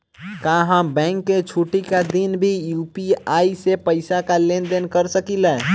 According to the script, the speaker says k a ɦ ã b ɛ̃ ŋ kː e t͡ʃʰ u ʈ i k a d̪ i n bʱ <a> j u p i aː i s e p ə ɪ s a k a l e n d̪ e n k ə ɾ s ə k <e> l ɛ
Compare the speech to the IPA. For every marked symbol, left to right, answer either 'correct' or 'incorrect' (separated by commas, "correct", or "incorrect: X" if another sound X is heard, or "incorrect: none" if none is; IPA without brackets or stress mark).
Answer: incorrect: i, incorrect: i